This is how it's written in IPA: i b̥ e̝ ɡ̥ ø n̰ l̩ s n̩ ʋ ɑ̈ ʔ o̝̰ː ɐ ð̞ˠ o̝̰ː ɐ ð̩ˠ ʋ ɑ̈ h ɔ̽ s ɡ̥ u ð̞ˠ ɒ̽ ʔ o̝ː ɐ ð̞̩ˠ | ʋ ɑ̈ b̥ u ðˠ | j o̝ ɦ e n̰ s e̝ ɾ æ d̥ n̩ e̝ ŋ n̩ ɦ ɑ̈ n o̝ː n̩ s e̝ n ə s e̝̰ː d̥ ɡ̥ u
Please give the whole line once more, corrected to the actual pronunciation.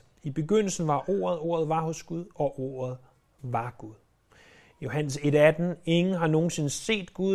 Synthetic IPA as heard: i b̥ e̝ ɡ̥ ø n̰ l̩ s n̩ ʋ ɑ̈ ʔ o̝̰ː ɐ ð̞ˠ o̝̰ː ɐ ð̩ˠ ʋ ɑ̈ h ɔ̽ s ɡ̥ u ð̞ˠ ɒ̽ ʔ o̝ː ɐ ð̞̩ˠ | ʋ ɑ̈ ɡ̥ u ðˠ | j o̝ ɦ æ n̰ s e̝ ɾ æ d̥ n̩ e̝ ŋ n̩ ɦ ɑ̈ n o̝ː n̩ s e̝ n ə s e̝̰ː d̥ ɡ̥ u